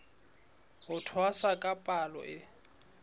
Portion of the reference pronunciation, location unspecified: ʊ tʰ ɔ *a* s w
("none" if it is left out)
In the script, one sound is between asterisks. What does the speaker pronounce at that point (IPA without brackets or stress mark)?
a